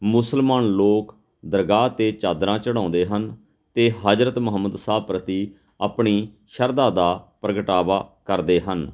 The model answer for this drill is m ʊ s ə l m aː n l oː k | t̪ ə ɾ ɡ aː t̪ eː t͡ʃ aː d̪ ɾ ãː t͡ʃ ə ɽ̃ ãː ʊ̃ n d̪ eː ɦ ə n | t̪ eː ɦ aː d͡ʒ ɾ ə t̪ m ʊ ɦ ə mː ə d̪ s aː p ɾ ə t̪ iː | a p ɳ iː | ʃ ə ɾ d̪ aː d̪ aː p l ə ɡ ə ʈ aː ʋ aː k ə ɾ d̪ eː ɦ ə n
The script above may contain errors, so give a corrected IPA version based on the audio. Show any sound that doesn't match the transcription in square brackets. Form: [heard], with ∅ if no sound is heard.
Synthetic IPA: m ʊ s ə l m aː n l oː k | [d̪] ə ɾ ɡ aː t̪ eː t͡ʃ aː d̪ ɾ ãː t͡ʃ ə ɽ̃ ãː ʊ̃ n d̪ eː ɦ ə n | t̪ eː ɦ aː d͡ʒ ɾ ə t̪ m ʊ ɦ ə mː ə d̪ s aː p ɾ ə t̪ iː | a p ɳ iː | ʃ ə ɾ d̪ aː d̪ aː p [ɾ] ə ɡ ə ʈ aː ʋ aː k ə ɾ d̪ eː ɦ ə n